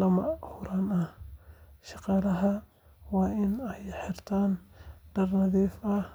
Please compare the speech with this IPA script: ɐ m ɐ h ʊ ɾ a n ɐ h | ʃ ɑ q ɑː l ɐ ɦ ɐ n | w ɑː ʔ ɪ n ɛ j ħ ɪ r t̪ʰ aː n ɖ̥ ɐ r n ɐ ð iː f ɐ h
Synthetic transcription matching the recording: ɐ m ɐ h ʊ ɾ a n ɐ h | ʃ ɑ q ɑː l ɐ ɦ ɐ | w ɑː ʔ ɪ n ɛ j ħ ɪ r t̪ʰ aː n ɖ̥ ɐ r n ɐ ð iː f ɐ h